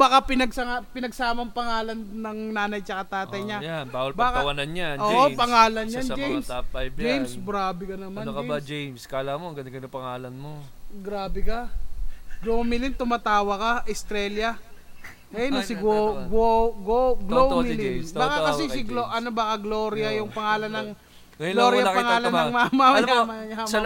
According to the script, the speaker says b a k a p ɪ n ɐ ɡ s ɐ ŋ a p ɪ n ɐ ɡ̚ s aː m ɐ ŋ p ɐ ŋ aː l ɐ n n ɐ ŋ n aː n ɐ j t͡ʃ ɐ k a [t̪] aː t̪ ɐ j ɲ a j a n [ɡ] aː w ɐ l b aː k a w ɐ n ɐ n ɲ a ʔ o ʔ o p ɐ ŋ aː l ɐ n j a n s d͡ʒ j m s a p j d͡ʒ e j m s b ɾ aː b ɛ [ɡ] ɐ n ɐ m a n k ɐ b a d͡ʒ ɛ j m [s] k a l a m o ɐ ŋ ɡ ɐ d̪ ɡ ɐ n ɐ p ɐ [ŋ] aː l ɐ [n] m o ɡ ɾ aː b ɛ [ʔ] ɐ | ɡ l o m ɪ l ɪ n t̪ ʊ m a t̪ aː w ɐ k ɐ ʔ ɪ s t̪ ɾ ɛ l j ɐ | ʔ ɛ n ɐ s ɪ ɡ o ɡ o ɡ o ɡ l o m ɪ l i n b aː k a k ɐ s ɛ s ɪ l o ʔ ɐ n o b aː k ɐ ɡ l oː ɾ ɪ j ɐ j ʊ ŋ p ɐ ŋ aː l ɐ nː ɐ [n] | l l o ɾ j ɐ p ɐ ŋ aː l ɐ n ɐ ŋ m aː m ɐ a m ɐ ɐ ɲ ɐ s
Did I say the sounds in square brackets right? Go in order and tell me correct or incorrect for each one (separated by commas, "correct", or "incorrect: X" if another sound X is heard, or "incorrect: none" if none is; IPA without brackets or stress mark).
correct, incorrect: b, incorrect: k, correct, correct, correct, incorrect: k, incorrect: ŋ